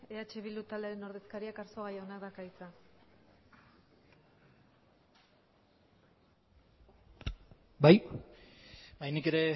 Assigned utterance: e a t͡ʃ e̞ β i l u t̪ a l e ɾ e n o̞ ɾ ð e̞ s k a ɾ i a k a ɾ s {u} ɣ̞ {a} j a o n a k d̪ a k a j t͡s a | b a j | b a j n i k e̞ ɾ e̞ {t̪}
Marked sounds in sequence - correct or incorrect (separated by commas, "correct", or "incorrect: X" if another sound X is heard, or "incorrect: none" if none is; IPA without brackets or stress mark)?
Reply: incorrect: o, correct, incorrect: none